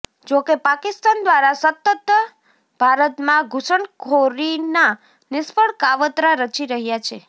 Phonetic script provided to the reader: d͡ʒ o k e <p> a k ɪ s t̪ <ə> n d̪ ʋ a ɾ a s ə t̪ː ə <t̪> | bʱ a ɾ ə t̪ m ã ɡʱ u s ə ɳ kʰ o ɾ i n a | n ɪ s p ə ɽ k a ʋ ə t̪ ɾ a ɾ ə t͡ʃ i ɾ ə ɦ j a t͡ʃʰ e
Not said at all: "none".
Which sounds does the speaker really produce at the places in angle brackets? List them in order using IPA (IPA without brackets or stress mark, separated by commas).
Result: p, a, t̪